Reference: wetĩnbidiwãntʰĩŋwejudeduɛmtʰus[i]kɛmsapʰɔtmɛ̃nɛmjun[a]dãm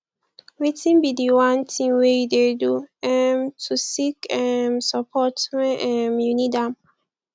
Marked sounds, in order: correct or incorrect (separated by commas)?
correct, incorrect